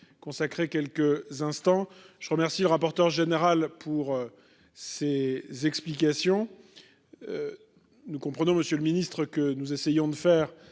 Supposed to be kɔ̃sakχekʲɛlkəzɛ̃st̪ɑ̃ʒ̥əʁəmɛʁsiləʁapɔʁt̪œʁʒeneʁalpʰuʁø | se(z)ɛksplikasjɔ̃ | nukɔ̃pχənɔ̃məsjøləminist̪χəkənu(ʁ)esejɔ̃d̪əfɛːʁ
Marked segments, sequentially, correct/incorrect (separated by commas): correct, incorrect